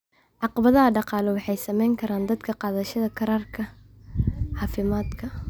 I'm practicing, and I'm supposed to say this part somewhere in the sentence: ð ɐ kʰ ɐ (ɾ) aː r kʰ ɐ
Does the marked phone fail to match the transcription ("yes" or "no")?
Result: no